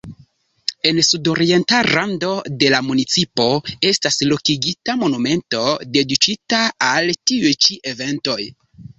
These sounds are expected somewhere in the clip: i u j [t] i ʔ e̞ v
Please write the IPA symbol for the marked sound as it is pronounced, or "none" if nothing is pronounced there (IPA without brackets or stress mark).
t͡ʃ